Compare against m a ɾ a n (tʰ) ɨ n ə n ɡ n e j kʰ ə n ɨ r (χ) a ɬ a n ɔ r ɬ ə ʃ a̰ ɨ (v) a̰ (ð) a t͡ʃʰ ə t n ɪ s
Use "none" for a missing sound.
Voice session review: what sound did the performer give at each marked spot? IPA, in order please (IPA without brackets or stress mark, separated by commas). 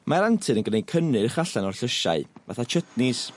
tʰ, χ, v, θ